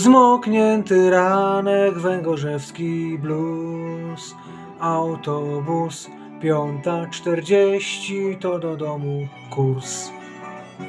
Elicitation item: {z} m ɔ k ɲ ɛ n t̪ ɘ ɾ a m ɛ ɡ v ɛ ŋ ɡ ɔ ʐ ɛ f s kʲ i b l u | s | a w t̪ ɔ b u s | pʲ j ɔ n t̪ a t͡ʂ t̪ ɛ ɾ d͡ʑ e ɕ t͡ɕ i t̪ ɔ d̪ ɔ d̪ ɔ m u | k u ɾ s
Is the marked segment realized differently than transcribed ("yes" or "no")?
no